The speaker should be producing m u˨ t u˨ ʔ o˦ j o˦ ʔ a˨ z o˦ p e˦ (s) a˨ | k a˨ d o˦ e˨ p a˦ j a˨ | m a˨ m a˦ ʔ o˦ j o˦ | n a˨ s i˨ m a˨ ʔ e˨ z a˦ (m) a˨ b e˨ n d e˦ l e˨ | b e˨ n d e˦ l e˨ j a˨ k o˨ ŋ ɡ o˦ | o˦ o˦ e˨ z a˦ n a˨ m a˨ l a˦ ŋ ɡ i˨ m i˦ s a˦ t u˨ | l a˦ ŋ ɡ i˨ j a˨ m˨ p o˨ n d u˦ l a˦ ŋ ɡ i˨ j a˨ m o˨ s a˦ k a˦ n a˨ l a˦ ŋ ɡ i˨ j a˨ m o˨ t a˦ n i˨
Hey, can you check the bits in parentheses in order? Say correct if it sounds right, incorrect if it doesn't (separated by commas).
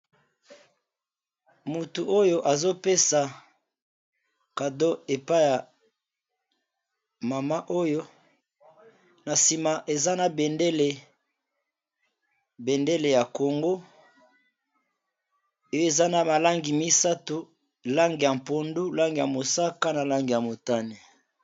correct, incorrect